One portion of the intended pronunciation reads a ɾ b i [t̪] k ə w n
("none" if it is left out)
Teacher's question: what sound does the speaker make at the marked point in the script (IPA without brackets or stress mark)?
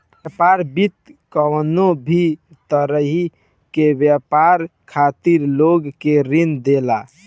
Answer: t̪